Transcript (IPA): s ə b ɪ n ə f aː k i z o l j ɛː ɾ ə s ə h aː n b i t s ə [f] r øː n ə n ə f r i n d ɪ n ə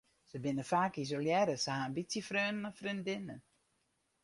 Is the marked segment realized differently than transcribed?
no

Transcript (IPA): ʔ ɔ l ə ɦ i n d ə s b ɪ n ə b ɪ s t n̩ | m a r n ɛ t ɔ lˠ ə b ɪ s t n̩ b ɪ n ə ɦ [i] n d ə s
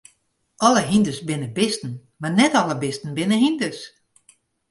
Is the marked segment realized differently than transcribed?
no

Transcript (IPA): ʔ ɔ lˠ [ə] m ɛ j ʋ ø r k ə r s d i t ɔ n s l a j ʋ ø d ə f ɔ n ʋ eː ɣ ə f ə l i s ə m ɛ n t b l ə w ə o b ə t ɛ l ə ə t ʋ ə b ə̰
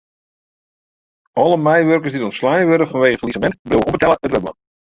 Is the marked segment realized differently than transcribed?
no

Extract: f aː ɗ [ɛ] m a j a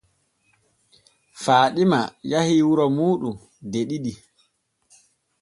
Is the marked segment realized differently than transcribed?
yes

